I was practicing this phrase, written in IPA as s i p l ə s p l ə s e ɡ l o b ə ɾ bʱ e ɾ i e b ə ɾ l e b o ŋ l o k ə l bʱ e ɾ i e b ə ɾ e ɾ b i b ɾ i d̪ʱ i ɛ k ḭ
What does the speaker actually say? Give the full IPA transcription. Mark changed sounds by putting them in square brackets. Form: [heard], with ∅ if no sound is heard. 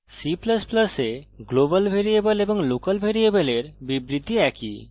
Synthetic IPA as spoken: s i p l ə s p l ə s e ɡ l o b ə [l] bʱ e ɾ i e b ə [∅] l e b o ŋ l o k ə l bʱ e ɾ i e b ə [l] e ɾ b i b ɾ i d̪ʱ i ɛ k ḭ

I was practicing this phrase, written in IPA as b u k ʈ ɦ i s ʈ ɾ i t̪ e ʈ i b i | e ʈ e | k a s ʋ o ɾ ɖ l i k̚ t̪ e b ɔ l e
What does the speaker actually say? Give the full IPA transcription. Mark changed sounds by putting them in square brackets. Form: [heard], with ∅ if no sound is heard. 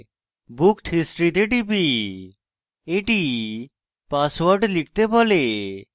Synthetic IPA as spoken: b u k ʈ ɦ i s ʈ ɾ i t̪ e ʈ i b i | e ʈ [i] | [p] a s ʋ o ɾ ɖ l i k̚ t̪ e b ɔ l e

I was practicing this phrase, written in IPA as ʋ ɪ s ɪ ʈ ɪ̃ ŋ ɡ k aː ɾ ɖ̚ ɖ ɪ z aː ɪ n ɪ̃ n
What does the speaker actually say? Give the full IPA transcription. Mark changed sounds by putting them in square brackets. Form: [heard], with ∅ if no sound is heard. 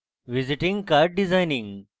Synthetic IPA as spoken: ʋ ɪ [z] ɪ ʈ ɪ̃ ŋ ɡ k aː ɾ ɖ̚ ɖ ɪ z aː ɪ n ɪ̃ [ŋ]

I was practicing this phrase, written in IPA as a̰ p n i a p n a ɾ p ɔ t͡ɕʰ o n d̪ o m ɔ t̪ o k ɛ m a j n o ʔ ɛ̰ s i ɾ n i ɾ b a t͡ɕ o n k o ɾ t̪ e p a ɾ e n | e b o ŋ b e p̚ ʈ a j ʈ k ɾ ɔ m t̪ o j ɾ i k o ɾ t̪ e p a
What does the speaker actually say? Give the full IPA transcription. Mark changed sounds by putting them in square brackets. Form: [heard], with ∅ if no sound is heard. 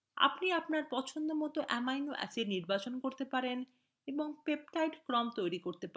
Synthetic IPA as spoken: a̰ p n i a p n a ɾ p ɔ t͡ɕʰ o n d̪ o m ɔ t̪ o [ʔ] ɛ m a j n o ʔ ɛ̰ s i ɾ n i ɾ b a t͡ɕ o n k o ɾ t̪ e p a ɾ e n | e b o ŋ [p] e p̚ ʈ a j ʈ k ɾ ɔ m t̪ o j ɾ i k o ɾ t̪ e p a

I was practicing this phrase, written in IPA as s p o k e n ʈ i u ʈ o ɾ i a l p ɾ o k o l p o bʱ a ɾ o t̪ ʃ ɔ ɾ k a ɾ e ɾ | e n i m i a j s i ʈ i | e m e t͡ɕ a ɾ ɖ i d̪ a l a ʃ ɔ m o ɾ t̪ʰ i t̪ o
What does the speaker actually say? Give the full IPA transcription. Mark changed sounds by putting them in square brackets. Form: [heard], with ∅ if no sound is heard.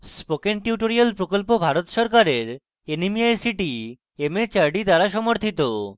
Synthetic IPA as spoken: s p o k e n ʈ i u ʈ o ɾ i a l p ɾ o k o l p o bʱ a ɾ o t̪ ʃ ɔ ɾ k a ɾ e ɾ | e n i m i a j s i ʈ i | e m e t͡ɕ a ɾ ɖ i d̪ a [ɾ] a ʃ ɔ m o ɾ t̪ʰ i t̪ o

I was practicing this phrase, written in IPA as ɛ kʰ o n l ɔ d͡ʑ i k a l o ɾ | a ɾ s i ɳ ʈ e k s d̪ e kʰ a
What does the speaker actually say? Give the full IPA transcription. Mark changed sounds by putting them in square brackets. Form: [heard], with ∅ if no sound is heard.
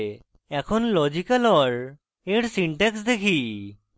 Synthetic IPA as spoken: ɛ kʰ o n l ɔ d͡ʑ i k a l [ɔ] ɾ | [e] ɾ s i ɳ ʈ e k s d̪ e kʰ [i]

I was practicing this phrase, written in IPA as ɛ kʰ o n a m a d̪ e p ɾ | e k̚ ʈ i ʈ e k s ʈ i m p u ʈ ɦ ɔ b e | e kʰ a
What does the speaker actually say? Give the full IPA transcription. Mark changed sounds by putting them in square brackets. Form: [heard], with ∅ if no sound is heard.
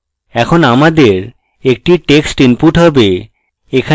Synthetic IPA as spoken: ɛ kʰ o n a m a d̪ e [∅] ɾ | e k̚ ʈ i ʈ e k s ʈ i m p u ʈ ɦ ɔ b e | e kʰ a

